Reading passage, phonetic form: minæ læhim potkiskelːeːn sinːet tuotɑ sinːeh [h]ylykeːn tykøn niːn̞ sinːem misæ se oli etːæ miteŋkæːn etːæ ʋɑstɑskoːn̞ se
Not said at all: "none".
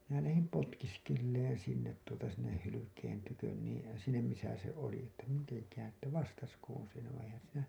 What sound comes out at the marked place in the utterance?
h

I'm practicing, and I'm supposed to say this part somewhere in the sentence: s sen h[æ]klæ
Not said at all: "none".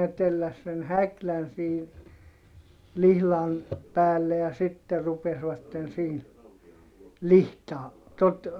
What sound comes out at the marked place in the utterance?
æ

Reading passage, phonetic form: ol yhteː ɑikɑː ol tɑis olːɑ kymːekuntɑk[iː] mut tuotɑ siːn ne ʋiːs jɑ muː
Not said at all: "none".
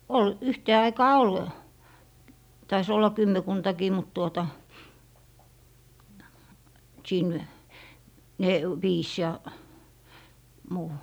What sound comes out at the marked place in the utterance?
iː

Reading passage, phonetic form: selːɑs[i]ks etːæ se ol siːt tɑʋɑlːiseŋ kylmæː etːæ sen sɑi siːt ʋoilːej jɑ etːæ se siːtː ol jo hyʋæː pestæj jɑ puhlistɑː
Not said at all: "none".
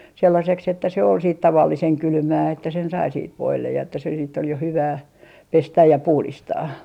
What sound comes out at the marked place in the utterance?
e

